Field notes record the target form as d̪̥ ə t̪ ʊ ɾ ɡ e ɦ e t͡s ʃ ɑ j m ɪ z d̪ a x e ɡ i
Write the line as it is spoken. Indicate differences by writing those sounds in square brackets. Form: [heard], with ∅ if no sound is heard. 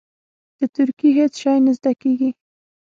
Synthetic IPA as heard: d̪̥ ə t̪ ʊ ɾ [k] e ɦ e t͡s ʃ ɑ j [n] ɪ z d̪ a [k] e ɡ i